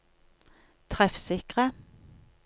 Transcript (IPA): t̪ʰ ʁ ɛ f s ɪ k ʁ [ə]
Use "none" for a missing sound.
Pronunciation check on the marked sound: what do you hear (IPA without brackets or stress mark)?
ə